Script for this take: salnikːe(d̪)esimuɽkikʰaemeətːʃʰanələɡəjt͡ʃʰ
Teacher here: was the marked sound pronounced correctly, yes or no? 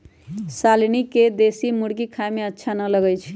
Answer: yes